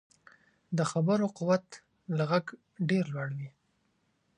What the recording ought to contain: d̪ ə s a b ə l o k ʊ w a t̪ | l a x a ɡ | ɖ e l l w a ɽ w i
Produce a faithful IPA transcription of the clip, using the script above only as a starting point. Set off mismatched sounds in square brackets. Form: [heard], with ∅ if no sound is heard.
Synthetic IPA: d̪ ə [x] a b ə [ɾ] o [q] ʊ w a t̪ | l a [ɣ] a ɡ | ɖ e [ɾ] l w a ɽ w i

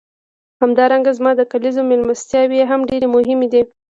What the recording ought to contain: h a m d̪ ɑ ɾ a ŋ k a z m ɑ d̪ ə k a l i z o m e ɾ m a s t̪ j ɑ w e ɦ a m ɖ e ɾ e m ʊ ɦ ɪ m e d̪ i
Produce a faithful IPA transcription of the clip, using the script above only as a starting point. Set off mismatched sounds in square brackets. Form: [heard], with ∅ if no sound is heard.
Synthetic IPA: h a m d̪ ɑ ɾ a ŋ [ɡ] a z m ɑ d̪ ə k a l i z o m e [l] m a s t̪ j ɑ w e ɦ a m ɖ e ɾ e m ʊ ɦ ɪ m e d̪ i

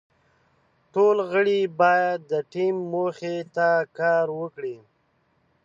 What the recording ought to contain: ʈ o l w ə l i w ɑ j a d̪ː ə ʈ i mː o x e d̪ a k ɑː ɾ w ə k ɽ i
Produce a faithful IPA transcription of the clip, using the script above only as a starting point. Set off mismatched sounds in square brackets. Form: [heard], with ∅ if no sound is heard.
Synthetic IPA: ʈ o l [ɣ] ə [ɽ] i [b] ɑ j a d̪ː ə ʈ i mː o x e [t̪] a k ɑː ɾ w ə k ɽ i

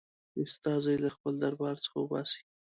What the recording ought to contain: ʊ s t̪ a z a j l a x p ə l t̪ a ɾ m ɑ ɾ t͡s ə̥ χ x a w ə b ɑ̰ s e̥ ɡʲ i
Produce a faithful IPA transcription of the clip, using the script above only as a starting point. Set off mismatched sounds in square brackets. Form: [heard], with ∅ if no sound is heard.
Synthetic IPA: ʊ s t̪ [ɑ] z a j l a x p ə l [d̪] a ɾ [b] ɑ ɾ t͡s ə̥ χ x a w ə b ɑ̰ s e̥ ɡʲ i

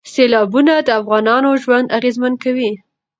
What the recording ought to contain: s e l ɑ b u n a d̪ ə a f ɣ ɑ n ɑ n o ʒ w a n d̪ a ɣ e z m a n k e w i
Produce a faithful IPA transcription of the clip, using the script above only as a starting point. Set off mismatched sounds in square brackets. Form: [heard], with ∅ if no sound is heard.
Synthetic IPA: s e l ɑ b u n a d̪ ə a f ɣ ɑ n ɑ n o ʒ w a n d̪ a ɣ e z m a n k [a] w i

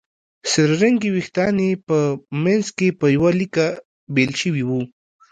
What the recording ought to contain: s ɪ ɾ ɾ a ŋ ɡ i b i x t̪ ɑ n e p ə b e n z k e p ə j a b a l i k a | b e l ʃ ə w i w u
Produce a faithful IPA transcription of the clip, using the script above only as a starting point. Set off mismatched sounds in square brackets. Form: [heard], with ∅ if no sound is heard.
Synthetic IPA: s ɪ ɾ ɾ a ŋ ɡ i [w] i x t̪ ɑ n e p ə [m] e n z k e p ə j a [w] a l i k a | b e l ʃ ə w i w u

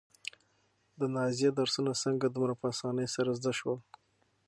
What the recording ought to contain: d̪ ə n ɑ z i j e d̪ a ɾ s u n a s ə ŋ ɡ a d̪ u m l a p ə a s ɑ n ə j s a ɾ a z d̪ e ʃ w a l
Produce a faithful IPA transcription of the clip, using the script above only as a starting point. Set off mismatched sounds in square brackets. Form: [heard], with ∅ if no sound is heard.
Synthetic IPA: d̪ ə n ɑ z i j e d̪ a ɾ s u n a s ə ŋ ɡ a d̪ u m [ɾ] a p ə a s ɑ n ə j s a ɾ a z d̪ [a] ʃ w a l

